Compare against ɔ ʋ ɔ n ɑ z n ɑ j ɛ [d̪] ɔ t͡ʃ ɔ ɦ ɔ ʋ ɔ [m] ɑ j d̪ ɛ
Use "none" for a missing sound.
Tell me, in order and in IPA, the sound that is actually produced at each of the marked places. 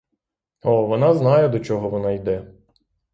d̪, n

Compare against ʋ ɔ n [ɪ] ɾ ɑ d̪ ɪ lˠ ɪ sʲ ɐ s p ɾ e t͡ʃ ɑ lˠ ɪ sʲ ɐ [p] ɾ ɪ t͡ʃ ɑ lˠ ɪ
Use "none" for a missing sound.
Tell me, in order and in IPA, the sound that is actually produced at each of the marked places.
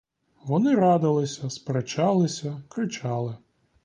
ɪ, k

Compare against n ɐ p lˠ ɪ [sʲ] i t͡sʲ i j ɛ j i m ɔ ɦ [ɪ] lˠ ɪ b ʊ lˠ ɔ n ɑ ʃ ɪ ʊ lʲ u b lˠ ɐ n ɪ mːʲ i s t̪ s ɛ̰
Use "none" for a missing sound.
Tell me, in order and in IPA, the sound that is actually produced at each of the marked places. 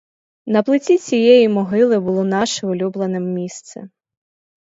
t͡sʲ, ɪ

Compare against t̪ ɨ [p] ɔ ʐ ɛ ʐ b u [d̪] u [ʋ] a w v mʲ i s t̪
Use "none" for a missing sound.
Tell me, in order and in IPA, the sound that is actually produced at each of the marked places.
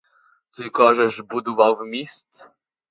k, d̪, v

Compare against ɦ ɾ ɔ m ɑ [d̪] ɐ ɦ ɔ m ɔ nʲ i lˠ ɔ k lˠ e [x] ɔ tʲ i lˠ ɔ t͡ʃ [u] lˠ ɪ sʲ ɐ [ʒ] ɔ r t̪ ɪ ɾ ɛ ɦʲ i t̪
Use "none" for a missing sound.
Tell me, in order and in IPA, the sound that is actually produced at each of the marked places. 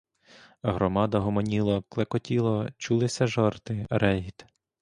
d̪, k, u, ʒ

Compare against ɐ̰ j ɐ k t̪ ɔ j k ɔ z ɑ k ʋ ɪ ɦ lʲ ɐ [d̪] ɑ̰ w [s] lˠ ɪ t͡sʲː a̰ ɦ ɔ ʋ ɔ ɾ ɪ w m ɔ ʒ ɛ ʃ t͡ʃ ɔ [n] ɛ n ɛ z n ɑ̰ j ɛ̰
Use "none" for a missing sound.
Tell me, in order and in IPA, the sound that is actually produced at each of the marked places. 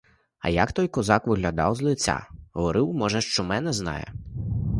d̪, z, m

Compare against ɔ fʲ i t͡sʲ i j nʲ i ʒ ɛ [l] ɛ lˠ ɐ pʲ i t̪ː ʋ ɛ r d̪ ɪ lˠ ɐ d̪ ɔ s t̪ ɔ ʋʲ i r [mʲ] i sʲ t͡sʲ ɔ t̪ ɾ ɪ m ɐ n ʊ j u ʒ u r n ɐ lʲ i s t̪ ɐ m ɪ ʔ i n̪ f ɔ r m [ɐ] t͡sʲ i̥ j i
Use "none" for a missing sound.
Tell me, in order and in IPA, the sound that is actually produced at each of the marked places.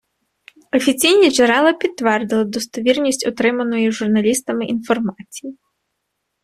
ɾ, nʲ, a

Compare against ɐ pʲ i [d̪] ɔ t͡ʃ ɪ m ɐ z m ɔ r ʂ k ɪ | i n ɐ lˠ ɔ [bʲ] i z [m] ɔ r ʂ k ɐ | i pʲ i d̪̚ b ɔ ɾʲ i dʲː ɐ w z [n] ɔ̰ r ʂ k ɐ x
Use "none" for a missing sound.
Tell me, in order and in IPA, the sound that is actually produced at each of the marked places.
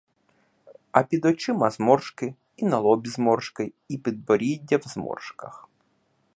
d̪, bʲ, m, m

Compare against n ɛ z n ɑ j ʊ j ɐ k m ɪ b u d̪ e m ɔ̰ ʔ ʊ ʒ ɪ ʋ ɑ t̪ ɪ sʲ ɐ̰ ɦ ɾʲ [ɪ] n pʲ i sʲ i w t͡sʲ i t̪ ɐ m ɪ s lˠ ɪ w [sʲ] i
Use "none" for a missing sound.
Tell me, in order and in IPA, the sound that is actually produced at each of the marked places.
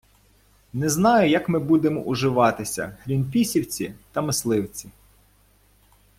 i, t͡sʲ

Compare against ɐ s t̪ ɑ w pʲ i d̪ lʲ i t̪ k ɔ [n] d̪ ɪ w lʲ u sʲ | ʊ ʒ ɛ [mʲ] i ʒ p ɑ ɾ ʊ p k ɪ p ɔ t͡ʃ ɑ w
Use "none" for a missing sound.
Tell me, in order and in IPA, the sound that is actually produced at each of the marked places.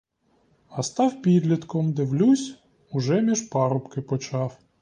m, mʲ

